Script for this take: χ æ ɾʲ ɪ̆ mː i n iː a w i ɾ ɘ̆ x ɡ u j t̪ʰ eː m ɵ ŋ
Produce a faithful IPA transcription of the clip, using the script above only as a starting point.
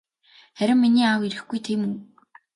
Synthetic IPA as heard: χ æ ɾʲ ɪ̆ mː i n iː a w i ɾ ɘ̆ x ɡ u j t̪ʰ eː m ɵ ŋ